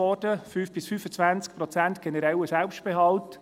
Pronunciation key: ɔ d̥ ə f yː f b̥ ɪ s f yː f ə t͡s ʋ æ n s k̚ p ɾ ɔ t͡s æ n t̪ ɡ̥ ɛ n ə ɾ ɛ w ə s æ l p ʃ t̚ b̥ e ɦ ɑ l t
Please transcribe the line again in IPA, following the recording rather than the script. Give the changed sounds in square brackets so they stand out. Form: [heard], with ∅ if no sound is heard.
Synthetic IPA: ɔ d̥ ə f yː f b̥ ɪ s f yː f ə t͡s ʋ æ n [t͡s] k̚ p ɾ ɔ t͡s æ n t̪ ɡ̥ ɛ n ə ɾ ɛ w ə s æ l p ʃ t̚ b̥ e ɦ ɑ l t